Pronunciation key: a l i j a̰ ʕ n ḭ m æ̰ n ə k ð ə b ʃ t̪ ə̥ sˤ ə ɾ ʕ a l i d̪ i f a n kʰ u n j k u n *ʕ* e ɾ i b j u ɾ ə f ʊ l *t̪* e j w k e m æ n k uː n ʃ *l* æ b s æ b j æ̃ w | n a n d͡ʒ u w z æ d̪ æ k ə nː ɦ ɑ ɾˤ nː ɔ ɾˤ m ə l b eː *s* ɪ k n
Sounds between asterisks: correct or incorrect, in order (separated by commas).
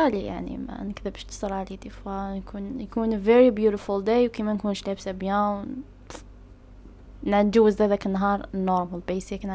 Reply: incorrect, incorrect, correct, correct